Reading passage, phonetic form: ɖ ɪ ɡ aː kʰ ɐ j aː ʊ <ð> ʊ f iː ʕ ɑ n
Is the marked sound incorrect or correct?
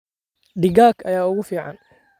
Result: incorrect